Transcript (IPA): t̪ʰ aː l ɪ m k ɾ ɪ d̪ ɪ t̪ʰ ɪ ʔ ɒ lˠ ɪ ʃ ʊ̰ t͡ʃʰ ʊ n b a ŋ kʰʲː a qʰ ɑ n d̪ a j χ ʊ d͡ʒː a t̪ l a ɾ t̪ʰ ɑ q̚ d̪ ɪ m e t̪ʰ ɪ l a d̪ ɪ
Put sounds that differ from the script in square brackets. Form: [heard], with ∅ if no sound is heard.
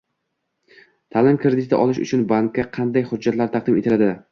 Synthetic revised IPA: t̪ʰ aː l ɪ m k ɾ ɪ d̪ ɪ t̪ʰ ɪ ʔ ɒ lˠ ɪ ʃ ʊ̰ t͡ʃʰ ʊ n b a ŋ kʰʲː a qʰ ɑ n d̪ a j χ ʊ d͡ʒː a t̪ l a ɾ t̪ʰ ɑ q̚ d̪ ɪ m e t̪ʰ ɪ l a d̪ ɪ